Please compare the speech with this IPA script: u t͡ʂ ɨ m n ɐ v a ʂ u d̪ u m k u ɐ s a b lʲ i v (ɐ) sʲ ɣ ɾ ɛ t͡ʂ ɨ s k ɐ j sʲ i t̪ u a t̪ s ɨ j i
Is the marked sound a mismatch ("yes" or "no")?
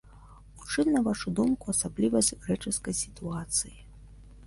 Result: no